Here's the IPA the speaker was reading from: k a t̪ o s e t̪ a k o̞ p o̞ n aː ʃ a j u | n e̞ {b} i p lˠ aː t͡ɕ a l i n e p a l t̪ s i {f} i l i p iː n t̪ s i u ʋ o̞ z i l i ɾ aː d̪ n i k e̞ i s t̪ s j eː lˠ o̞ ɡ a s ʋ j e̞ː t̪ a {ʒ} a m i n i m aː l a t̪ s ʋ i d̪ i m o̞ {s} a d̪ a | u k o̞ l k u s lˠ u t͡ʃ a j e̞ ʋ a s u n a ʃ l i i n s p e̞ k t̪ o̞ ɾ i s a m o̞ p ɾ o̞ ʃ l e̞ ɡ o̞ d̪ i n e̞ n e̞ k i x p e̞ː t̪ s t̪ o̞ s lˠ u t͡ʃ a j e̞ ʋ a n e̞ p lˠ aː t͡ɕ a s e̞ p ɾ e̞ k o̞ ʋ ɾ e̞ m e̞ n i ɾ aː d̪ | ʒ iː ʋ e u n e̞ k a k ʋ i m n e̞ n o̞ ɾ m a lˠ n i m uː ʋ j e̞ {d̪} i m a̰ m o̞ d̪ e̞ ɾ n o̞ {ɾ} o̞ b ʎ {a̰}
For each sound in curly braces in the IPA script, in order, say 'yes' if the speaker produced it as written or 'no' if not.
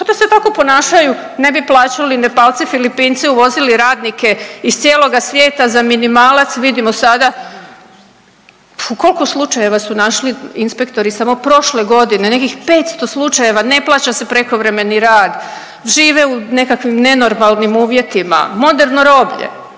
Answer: yes, yes, no, yes, no, yes, no

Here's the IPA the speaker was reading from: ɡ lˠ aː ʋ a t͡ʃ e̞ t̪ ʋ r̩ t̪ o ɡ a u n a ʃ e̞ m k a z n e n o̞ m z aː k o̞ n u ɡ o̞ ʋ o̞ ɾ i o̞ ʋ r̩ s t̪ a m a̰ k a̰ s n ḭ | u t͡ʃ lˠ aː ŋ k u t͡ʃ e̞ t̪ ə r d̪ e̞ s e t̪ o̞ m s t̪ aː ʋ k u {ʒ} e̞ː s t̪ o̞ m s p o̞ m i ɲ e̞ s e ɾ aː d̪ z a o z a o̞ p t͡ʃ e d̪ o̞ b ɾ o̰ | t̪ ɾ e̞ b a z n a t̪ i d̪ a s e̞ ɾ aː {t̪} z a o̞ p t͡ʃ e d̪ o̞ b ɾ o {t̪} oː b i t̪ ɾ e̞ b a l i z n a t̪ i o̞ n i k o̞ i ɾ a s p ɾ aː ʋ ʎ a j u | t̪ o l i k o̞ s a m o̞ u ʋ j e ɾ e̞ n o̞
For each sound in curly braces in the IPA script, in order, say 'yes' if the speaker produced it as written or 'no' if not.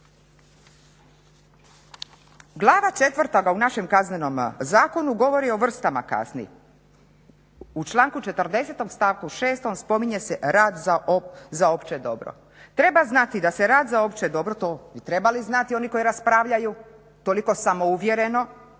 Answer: no, no, yes

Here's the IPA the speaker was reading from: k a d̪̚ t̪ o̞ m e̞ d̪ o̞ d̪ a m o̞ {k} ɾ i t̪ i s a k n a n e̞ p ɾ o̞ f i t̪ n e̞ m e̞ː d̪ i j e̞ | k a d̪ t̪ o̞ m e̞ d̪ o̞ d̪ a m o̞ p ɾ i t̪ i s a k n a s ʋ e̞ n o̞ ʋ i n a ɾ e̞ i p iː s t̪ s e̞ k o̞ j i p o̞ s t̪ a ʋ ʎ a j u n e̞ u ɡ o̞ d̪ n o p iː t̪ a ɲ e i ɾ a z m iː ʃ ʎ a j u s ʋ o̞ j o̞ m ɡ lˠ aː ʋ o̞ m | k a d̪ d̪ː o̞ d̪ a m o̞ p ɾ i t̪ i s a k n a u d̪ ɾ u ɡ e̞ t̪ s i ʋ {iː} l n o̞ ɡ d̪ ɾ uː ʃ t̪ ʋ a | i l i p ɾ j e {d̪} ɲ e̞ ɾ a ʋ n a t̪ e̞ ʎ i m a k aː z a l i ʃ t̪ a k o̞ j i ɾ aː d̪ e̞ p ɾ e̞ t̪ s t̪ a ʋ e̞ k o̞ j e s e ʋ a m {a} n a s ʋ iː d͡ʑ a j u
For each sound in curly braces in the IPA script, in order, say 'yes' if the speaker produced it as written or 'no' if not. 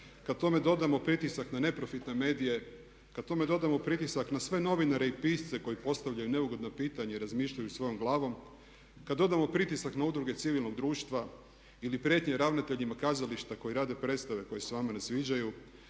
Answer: no, no, no, yes

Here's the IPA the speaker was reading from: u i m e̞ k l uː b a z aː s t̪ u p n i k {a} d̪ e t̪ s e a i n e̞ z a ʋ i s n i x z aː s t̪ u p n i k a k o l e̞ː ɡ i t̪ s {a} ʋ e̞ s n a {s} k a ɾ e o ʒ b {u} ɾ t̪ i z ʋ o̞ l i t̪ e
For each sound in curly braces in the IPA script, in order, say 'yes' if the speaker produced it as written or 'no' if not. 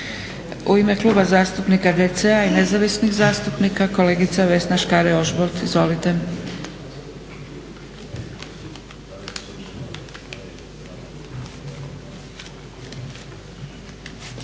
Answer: yes, yes, no, no

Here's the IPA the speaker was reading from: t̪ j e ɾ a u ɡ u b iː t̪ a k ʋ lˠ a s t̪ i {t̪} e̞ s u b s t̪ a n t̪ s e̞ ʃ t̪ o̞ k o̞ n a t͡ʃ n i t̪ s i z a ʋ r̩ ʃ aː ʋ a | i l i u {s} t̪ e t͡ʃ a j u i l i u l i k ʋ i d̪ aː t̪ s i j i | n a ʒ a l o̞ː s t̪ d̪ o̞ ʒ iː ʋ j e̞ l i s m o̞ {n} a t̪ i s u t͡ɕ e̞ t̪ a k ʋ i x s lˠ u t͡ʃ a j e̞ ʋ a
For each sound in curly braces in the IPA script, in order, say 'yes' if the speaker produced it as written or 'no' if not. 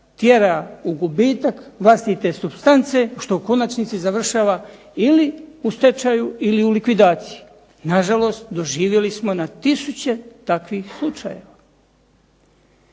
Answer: yes, yes, yes

